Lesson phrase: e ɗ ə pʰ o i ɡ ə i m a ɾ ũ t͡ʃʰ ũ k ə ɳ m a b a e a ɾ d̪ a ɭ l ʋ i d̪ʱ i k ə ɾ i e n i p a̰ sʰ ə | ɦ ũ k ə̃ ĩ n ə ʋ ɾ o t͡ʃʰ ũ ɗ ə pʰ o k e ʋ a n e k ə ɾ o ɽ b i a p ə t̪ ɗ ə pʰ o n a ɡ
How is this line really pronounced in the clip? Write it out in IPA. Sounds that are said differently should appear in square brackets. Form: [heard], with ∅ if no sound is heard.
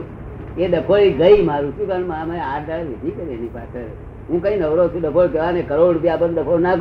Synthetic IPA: e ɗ ə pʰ o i ɡ ə i m a ɾ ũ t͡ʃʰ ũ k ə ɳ m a [m] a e a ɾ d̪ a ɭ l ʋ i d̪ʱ i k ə ɾ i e n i p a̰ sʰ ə | ɦ ũ k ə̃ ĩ n ə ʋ ɾ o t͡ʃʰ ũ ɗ ə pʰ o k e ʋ a n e k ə ɾ o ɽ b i a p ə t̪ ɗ ə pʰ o n a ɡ